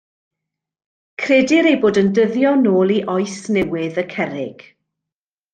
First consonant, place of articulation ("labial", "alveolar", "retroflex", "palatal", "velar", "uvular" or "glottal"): velar